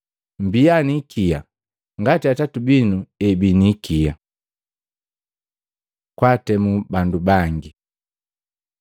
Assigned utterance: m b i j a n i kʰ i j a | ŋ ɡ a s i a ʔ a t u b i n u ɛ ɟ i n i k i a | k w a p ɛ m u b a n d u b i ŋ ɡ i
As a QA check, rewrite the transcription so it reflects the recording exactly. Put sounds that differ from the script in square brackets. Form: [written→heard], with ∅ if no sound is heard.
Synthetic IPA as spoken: m b i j a n i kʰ i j a | ŋ ɡ a [s→t] i a [ʔ→t] a t u b i n u ɛ [ɟ→b] i n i k i a | k w a [p→t] ɛ m u b a n d u b [i→a] ŋ ɡ i